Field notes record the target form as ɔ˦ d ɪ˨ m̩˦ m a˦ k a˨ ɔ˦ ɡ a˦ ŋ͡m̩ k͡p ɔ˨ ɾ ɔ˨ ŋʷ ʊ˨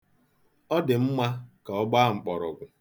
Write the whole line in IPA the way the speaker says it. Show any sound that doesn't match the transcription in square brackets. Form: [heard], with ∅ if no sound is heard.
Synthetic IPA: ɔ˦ d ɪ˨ m̩˦ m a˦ k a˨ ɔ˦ [ɡ͡b] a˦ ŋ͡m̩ k͡p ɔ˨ ɾ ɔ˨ [ɡʷ] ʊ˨